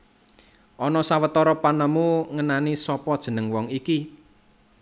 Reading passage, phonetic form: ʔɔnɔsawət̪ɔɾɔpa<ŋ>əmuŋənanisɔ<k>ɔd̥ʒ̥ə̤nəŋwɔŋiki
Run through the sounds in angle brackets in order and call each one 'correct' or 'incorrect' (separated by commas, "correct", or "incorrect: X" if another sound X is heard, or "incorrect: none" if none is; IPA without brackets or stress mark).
incorrect: n, incorrect: p